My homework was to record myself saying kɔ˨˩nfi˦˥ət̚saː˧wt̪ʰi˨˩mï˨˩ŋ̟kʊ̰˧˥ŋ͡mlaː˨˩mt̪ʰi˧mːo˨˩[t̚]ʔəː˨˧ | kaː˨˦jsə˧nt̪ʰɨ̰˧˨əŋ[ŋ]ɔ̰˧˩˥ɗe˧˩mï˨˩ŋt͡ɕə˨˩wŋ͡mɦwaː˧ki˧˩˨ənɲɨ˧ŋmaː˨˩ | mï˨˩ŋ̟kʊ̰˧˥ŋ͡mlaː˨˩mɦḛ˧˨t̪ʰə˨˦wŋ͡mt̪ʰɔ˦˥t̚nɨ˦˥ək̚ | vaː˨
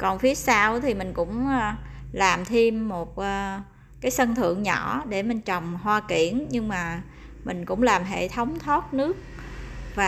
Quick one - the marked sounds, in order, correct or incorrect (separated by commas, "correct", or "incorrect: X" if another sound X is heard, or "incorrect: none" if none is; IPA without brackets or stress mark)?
correct, incorrect: ɲ